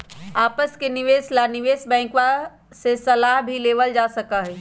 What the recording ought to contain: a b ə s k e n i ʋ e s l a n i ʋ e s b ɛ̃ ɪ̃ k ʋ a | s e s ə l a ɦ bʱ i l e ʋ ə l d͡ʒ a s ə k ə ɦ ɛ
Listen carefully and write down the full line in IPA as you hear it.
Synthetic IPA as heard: a p ə s k e n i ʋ e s l a n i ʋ e s b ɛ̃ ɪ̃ k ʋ a | s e s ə l a ɦ bʱ i l e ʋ ə l d͡ʒ a s ə k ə ɦ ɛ